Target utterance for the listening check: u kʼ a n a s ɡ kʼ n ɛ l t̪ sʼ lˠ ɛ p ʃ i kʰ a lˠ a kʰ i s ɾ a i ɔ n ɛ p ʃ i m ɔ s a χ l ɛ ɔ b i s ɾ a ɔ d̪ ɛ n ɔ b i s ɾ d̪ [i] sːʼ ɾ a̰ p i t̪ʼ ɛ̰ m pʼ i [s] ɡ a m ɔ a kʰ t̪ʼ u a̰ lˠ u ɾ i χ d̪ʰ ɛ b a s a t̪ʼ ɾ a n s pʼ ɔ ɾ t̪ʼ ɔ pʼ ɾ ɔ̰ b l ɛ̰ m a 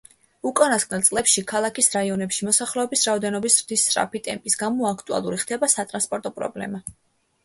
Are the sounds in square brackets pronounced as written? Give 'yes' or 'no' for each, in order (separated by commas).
yes, yes